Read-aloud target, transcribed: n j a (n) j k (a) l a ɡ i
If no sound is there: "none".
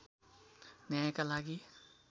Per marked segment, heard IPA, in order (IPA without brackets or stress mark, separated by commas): none, a